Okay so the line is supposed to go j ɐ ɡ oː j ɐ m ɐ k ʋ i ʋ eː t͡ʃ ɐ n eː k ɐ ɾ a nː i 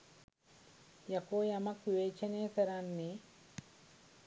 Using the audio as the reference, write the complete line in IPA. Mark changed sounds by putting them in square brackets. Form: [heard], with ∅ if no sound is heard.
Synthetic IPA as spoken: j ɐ [k] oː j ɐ m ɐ k ʋ i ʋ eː t͡ʃ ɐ n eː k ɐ ɾ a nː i